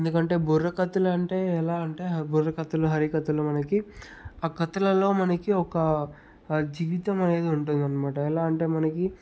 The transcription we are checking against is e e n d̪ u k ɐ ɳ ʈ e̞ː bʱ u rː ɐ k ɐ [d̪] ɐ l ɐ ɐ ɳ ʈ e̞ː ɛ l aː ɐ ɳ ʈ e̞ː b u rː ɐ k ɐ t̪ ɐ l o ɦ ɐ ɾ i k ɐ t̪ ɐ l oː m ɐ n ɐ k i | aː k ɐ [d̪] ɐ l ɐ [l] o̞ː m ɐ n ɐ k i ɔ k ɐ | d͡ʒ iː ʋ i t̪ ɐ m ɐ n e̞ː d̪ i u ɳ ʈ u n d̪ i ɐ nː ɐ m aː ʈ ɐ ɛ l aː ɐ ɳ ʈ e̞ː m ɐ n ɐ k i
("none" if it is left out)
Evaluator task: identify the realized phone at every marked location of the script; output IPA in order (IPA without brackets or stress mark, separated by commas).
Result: t̪, t̪, l